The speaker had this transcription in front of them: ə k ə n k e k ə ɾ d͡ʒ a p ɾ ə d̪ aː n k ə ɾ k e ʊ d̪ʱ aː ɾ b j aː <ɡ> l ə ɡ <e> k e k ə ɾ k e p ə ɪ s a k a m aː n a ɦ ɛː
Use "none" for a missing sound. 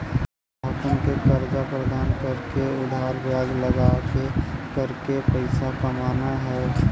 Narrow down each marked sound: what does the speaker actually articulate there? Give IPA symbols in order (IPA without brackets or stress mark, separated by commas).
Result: ɡ, a